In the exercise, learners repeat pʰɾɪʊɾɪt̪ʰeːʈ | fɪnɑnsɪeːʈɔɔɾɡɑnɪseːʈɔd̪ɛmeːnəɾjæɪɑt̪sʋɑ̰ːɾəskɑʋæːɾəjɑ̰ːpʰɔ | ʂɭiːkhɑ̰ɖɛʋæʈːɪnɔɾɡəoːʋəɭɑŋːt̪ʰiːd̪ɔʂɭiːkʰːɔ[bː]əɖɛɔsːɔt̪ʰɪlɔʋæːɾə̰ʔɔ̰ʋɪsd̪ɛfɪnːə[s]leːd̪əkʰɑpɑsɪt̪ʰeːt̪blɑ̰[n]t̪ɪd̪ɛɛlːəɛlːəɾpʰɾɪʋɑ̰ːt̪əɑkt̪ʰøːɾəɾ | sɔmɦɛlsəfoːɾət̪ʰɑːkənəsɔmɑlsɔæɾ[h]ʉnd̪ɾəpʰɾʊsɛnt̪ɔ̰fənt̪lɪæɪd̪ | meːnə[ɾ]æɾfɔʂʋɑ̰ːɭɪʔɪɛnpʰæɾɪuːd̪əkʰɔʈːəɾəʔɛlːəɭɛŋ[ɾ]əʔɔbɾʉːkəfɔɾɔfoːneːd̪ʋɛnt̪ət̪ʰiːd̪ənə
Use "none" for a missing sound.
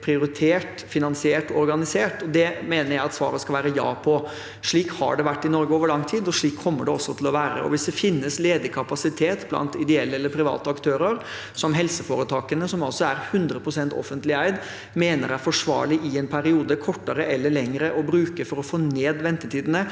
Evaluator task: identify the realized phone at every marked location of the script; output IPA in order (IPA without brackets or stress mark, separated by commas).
mː, s, n, h, ɾ, ɾ